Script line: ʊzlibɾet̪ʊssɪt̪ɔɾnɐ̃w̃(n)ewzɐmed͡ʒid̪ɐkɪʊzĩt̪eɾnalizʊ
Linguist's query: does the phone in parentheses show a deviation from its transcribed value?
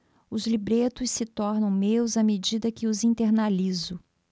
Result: yes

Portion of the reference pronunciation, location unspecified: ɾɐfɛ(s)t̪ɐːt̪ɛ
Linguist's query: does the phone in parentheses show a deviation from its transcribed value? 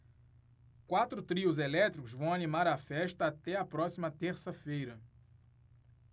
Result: yes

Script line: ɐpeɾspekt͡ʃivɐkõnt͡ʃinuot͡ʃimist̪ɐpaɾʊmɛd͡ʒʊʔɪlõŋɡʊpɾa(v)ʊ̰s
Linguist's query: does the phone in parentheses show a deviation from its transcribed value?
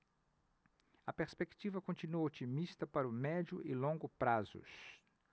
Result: yes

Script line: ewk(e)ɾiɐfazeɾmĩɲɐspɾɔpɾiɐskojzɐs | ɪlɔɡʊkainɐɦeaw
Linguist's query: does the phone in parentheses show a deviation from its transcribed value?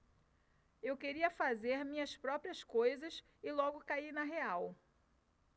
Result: no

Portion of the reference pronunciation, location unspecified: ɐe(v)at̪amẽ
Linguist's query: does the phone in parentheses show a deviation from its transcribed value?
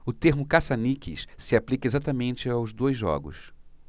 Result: yes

